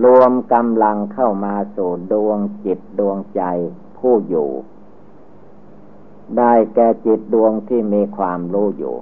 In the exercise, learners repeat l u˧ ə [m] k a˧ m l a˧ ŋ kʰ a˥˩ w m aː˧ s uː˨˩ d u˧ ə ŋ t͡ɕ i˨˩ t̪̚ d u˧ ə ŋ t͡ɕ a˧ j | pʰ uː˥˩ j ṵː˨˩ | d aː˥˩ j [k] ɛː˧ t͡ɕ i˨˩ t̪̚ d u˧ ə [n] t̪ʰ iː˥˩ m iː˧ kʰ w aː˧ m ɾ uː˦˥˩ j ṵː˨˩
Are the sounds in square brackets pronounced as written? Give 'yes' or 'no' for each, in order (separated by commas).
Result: yes, yes, no